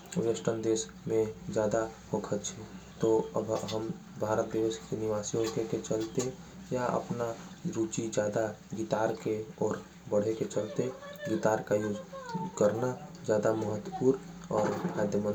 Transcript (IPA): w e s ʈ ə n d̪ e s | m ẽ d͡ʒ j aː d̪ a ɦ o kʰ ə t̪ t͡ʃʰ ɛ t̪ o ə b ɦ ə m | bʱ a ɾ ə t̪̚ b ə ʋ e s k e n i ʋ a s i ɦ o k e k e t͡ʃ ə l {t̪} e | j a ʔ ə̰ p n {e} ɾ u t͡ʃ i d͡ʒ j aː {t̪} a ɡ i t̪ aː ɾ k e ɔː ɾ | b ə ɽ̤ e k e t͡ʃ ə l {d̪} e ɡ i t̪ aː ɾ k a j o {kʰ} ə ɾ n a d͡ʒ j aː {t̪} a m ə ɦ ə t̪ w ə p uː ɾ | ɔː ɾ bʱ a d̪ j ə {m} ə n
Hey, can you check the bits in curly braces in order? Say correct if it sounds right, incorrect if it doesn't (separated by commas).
correct, incorrect, incorrect, incorrect, incorrect, incorrect, correct